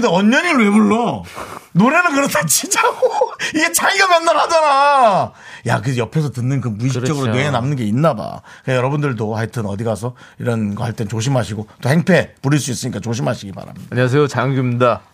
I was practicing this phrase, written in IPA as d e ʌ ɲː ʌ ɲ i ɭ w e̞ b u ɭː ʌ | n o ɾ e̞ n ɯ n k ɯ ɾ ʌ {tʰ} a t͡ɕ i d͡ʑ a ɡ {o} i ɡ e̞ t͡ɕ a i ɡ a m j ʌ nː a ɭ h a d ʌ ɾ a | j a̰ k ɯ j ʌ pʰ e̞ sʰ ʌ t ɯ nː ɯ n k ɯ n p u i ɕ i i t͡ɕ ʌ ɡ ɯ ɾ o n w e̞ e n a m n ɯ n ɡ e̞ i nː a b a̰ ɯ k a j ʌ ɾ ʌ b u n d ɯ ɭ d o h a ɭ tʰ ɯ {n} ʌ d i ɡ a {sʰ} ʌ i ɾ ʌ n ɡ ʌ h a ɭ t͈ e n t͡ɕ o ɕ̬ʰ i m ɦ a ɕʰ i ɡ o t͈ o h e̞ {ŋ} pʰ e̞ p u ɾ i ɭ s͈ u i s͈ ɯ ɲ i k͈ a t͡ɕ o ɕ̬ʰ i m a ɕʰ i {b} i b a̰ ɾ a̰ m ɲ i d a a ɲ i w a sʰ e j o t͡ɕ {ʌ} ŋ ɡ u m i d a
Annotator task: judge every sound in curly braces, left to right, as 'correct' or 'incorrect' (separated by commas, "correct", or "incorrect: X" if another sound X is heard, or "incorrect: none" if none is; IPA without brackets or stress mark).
correct, correct, correct, correct, correct, incorrect: ɡ, incorrect: a